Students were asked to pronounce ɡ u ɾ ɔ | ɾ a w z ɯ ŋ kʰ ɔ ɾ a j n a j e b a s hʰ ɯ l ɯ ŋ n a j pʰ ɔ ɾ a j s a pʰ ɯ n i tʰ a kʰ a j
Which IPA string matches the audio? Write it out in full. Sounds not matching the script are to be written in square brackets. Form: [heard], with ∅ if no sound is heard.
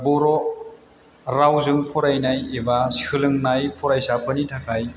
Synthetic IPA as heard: [b] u ɾ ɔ | ɾ a w z ɯ ŋ [pʰ] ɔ ɾ a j n a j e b a s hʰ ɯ l ɯ ŋ n a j pʰ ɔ ɾ a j s a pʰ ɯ n i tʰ a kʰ a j